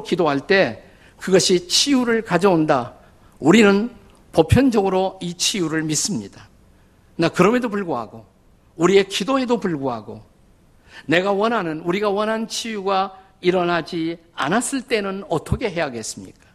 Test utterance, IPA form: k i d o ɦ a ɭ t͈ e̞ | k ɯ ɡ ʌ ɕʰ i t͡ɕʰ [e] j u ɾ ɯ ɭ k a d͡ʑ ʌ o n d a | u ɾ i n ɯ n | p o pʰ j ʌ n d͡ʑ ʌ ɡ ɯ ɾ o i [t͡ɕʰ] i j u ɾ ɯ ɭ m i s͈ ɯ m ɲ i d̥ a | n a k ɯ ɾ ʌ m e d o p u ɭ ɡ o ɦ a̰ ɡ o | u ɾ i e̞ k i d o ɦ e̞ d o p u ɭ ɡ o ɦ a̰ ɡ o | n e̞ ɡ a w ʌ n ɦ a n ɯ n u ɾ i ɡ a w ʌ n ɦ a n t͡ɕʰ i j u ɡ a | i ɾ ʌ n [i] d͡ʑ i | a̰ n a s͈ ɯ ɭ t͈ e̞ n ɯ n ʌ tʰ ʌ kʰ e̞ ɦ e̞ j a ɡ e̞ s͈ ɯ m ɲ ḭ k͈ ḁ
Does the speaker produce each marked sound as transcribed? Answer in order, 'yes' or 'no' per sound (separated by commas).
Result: no, yes, no